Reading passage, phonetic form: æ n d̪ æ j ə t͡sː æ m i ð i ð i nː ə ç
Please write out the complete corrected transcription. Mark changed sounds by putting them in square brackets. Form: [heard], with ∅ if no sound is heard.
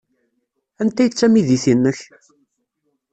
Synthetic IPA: æ n [t̪] æ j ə t͡sː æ m i ð i [θ] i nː ə ç

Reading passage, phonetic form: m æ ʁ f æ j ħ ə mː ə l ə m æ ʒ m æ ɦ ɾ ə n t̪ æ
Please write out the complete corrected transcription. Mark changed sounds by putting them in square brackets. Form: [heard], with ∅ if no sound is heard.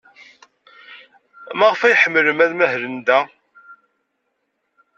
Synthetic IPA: m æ ʁ f æ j ħ ə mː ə l ə m æ [ð] m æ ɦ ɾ ə n [d̪] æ

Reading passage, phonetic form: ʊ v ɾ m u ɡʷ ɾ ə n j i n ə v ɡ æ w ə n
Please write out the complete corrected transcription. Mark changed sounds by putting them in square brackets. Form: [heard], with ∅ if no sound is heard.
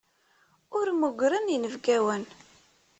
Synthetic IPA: ʊ [∅] ɾ m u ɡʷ ɾ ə n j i n ə v ɡ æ w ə n

